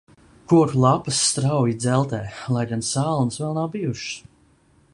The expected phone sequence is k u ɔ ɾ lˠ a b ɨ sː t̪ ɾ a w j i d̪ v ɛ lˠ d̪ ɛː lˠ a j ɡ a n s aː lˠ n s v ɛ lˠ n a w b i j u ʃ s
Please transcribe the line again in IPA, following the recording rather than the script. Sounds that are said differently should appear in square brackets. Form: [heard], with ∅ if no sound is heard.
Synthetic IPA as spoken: k u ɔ ɾ lˠ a [p] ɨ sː t̪ ɾ a w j i d̪ [z] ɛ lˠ [t̪] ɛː lˠ a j ɡ a n s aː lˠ n s v ɛ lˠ n a w b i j u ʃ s